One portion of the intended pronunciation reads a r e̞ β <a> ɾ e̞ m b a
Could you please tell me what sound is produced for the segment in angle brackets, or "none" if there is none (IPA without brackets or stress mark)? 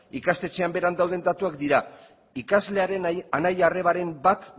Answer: a